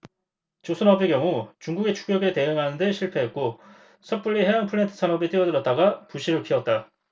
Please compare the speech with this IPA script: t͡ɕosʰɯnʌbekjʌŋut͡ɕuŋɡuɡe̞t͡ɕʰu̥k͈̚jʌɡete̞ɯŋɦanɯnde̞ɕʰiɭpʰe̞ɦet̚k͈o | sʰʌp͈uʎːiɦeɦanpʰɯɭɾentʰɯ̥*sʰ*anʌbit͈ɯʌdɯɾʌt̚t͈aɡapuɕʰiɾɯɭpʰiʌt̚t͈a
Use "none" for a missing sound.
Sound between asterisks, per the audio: sʰ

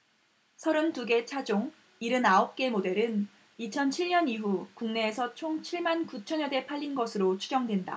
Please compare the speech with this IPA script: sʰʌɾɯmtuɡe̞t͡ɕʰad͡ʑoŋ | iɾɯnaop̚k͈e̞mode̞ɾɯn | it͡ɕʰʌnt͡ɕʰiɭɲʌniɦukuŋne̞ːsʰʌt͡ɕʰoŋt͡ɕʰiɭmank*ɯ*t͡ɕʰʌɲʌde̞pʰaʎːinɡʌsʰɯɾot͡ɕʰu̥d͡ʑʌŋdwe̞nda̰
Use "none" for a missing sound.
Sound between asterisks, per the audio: u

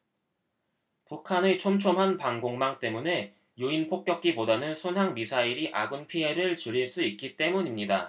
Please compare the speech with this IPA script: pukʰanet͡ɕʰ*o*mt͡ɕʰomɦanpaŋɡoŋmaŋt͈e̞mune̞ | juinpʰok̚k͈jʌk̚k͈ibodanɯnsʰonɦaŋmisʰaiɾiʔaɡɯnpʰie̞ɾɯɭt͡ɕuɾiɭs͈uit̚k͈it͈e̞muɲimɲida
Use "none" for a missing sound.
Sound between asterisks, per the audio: o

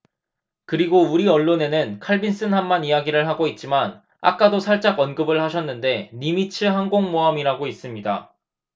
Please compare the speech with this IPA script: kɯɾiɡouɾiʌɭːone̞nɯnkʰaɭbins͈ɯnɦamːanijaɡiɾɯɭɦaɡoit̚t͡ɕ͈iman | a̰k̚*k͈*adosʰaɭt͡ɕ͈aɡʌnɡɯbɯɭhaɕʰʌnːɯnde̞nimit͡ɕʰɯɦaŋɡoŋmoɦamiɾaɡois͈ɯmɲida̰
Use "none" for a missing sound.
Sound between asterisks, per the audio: k͈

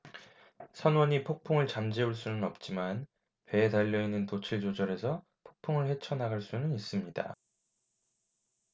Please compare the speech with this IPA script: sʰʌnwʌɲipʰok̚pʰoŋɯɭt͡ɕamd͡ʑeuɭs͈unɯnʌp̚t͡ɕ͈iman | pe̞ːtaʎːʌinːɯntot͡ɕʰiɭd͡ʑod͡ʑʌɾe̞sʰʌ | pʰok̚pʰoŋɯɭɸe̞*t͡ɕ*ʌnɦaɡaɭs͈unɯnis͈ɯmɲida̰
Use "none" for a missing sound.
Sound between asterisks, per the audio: t͡ɕʰ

